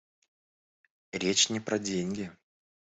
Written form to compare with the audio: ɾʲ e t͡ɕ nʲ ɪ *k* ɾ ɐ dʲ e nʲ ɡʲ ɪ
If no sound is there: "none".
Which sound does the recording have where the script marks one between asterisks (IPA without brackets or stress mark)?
p